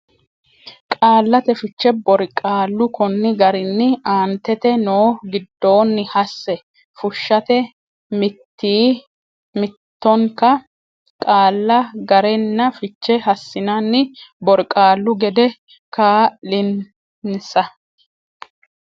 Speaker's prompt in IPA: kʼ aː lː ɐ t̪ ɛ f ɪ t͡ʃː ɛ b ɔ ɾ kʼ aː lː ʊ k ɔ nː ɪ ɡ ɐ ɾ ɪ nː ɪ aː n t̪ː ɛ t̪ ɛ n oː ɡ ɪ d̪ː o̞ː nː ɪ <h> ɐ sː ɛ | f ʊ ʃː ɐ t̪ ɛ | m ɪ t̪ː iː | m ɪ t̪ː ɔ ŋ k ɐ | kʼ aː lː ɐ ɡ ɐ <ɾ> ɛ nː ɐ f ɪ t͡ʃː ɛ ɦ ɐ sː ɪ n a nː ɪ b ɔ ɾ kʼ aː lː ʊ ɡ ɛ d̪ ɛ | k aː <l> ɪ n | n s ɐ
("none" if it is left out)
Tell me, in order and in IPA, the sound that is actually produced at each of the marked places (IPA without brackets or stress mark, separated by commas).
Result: h, ɾ, l